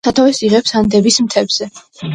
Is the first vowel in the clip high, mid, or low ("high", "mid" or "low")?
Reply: low